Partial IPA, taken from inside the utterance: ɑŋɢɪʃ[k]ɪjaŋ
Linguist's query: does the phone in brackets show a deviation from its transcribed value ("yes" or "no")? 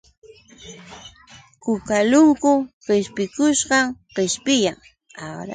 yes